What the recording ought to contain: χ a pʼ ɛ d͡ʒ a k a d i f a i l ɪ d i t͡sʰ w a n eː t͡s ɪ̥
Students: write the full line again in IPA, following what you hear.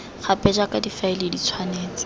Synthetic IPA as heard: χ a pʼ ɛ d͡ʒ a k a d i f a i l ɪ d i t͡sʰ w a n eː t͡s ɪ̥

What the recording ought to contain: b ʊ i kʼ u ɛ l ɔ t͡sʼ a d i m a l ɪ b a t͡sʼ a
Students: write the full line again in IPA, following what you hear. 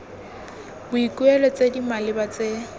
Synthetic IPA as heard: b ʊ i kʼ u ɛ l ɔ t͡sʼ e d i m a l ɪ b a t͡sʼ e

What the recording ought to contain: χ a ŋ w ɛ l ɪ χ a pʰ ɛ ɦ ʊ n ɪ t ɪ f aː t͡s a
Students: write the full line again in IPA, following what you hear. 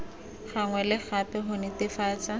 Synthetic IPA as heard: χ a ŋ w ɛ l ɪ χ a p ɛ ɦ ʊ n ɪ t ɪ f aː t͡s a

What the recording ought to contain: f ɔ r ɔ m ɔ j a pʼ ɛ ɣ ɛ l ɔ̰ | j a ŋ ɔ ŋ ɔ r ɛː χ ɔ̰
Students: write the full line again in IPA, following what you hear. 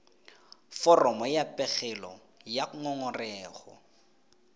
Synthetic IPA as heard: f ɔ r ɔ m ɔ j a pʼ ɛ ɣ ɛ l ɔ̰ | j a ŋ ɔ ŋ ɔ r ɛː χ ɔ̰

